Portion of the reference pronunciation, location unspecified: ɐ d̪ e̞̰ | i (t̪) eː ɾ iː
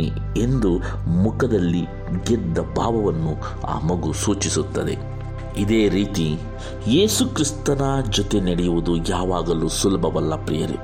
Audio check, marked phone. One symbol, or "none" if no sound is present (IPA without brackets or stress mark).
d̪